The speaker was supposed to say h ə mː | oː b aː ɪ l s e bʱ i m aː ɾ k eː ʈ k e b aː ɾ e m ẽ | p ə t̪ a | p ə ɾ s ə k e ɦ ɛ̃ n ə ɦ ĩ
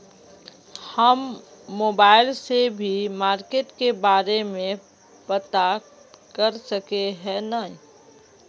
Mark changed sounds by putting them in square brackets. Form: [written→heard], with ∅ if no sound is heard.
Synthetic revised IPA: h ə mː | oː b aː ɪ l s e bʱ i m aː ɾ k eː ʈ k e b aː ɾ e m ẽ | p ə t̪ a | [p→k] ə ɾ s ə k e ɦ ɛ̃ n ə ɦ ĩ